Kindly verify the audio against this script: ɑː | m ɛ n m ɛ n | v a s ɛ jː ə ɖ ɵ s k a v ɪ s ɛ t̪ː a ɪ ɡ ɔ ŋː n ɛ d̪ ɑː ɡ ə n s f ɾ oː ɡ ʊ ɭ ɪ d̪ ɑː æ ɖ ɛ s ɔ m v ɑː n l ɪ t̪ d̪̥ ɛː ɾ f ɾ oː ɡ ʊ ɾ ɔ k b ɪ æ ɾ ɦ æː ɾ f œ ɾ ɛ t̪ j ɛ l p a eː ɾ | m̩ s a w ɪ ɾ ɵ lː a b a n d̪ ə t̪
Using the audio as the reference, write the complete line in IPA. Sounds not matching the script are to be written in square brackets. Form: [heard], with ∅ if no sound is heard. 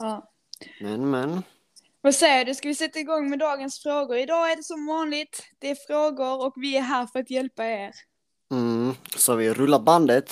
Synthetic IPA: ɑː | m ɛ n m ɛ n | v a s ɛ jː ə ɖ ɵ s k a v ɪ s ɛ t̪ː a ɪ ɡ ɔ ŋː [m] ɛ d̪ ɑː ɡ ə n s f ɾ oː ɡ ʊ [ɾ] ɪ d̪ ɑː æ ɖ ɛ s ɔ m v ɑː n l ɪ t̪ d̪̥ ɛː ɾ f ɾ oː ɡ ʊ ɾ ɔ k [v] ɪ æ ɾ ɦ æː ɾ f œ ɾ [a] t̪ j ɛ l p a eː ɾ | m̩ s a [v] ɪ ɾ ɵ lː a b a n d̪ ə t̪